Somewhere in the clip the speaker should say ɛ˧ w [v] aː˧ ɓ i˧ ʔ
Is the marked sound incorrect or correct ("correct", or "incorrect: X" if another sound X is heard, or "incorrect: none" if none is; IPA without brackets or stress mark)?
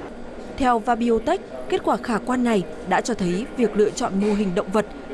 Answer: correct